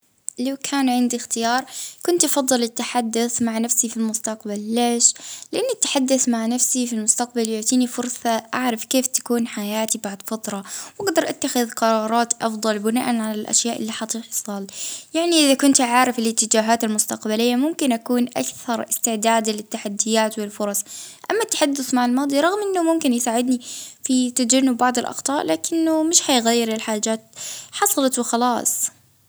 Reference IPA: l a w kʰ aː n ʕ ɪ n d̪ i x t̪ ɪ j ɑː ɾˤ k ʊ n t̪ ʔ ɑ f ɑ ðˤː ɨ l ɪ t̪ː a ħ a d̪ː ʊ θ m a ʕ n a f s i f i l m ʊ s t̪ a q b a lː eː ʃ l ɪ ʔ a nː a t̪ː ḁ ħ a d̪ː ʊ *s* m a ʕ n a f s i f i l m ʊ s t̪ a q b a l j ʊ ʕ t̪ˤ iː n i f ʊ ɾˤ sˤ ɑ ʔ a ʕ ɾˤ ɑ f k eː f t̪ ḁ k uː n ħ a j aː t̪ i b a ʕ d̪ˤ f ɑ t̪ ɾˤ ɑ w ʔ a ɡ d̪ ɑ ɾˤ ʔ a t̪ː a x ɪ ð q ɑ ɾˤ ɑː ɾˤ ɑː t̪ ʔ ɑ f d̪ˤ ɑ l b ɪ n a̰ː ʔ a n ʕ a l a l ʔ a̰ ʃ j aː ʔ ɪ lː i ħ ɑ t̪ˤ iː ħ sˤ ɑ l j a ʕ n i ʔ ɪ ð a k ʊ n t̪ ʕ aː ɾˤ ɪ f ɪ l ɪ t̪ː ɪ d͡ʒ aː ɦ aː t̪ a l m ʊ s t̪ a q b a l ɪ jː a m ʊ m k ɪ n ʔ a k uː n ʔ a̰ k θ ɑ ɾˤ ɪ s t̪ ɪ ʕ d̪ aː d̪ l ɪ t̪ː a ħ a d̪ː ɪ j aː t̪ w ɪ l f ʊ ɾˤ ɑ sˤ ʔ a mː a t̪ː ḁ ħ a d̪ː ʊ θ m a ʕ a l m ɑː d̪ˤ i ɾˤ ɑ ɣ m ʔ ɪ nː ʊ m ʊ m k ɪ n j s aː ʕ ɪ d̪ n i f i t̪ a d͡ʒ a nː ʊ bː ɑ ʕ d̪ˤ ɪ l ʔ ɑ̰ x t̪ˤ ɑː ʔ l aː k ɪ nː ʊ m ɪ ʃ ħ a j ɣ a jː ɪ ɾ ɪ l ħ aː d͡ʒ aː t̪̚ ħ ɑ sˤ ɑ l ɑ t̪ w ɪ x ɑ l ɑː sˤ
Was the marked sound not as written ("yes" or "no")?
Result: yes